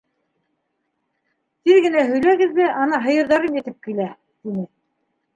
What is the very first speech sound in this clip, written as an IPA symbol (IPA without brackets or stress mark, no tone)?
t̪